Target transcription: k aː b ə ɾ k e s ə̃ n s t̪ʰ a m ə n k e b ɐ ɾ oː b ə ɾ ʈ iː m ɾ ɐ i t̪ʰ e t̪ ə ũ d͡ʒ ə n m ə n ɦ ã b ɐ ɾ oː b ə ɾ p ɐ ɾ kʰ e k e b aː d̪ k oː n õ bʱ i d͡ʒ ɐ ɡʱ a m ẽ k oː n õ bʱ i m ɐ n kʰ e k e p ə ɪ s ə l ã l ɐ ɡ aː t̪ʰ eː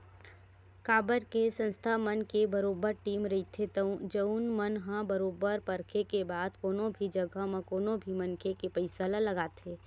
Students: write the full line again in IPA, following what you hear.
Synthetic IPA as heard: k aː b ə ɾ k e s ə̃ n s t̪ʰ a m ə n k e b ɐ ɾ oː b ə ɾ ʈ iː m ɾ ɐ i t̪ʰ e t̪ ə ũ d͡ʒ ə n m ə n ɦ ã b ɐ ɾ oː b ə ɾ p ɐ ɾ kʰ e k e b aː d̪ k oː n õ bʱ i d͡ʒ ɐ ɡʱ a m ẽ k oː n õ bʱ i m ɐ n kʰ e k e p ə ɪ s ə l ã l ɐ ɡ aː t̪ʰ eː